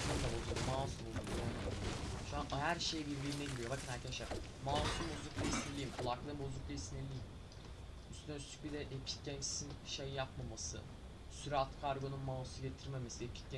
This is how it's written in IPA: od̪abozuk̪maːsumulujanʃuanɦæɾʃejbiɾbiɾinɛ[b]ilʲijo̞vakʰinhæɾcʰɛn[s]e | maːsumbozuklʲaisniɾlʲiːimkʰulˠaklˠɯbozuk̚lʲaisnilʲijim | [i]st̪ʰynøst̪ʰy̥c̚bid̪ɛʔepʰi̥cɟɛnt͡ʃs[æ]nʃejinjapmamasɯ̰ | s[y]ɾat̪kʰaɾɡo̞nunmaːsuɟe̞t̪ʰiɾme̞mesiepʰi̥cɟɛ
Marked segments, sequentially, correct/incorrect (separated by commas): incorrect, incorrect, incorrect, incorrect, correct